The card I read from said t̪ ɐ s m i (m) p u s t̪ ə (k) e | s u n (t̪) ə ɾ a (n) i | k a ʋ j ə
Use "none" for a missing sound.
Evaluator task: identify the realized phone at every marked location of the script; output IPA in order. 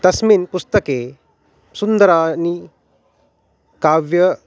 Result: n, k, d̪, n

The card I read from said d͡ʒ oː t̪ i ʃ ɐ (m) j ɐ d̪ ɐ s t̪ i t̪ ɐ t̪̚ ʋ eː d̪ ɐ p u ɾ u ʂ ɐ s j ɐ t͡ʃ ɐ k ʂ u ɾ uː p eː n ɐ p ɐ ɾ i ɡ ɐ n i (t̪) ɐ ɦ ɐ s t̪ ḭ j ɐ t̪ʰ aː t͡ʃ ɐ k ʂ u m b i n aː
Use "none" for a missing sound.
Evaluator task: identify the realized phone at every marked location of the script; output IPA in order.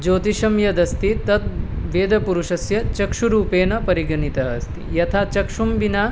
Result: m, t̪

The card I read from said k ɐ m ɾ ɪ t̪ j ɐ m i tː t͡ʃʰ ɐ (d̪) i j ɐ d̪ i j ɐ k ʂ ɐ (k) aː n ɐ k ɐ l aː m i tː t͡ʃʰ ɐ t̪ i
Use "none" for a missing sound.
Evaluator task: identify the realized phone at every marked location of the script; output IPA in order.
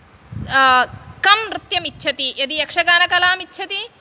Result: t̪, ɡ

